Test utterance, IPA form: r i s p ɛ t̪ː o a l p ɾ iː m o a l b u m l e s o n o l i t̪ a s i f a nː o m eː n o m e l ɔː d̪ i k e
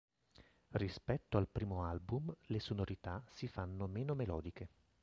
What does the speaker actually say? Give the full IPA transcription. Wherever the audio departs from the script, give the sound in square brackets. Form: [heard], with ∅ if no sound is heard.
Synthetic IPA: r i s p ɛ t̪ː o a l p ɾ iː m o a l b u m l e s o n o [ɾ] i t̪ a s i f a nː o m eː n o m e l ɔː d̪ i k e